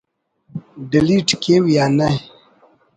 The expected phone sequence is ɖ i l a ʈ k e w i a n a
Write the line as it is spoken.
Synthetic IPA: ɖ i l i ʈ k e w j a n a